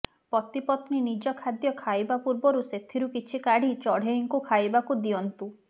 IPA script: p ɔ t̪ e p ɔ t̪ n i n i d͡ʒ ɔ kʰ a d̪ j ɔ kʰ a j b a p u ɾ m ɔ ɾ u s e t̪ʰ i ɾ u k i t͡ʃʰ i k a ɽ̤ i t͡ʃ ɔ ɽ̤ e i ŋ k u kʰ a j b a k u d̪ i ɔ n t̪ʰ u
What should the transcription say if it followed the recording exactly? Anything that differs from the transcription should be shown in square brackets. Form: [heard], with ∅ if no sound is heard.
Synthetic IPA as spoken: p ɔ t̪ [i] p ɔ t̪ n i n i d͡ʒ ɔ kʰ a d̪ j ɔ kʰ a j b a p u ɾ [b] ɔ ɾ u s e t̪ʰ i ɾ u k i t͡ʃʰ i k a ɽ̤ i t͡ʃ ɔ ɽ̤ e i ŋ k u kʰ a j b a k u d̪ i ɔ n [t̪] u